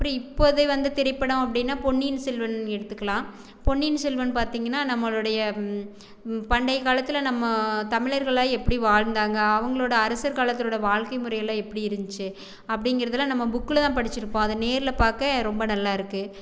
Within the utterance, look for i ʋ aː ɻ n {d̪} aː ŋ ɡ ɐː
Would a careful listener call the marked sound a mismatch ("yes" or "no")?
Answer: no